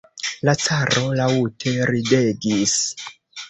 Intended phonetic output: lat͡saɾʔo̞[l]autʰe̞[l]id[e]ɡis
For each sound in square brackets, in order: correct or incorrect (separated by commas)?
correct, incorrect, correct